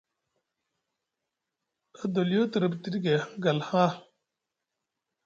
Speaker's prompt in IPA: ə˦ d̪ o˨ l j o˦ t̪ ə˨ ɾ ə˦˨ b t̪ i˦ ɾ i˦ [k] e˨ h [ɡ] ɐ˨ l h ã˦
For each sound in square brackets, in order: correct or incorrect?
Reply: incorrect: ɡ, correct

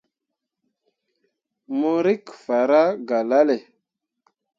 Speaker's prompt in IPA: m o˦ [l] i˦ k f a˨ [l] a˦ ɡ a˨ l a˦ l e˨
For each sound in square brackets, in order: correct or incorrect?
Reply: incorrect: ɾ, incorrect: ɾ

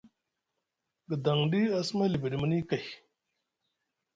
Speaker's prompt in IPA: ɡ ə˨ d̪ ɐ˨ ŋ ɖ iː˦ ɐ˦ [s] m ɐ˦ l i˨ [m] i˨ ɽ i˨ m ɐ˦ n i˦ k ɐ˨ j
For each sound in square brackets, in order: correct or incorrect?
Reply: correct, incorrect: b

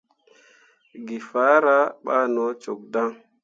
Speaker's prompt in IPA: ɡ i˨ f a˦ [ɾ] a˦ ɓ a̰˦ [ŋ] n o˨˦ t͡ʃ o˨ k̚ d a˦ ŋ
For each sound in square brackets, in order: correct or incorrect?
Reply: correct, incorrect: none

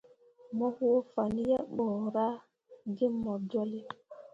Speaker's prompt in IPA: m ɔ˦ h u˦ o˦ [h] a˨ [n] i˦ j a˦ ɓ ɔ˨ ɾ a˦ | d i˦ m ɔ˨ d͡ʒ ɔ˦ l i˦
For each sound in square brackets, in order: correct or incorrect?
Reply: incorrect: f, correct

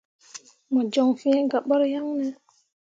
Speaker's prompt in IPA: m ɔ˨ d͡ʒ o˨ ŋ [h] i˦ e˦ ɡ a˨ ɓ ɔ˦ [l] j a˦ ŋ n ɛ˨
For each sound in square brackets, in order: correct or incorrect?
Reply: incorrect: f, incorrect: ɾ

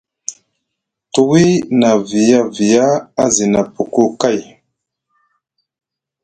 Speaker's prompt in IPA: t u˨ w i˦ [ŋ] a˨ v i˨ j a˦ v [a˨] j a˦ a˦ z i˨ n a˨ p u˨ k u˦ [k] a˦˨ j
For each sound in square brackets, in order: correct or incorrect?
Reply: incorrect: n, incorrect: i˨, correct

